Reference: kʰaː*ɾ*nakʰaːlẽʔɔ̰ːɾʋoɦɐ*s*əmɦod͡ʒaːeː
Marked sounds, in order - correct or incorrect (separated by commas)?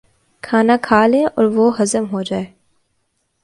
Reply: incorrect, incorrect